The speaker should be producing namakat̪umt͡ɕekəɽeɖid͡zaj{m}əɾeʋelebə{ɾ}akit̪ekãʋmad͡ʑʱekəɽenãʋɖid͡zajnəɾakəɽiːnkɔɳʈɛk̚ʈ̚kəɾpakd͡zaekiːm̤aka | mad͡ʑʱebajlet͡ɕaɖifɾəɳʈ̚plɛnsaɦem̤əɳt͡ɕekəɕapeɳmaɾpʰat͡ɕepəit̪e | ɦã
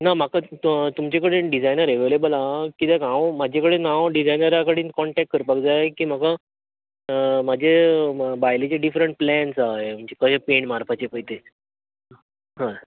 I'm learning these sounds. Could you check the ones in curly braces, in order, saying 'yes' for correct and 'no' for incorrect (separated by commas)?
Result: no, no